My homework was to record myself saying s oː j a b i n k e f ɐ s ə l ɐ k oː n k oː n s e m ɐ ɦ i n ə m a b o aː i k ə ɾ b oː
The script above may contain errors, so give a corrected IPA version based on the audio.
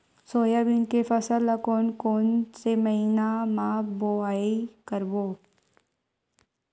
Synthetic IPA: s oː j a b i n k e f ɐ s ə l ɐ k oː n k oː n s e m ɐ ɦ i n a m a b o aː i k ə ɾ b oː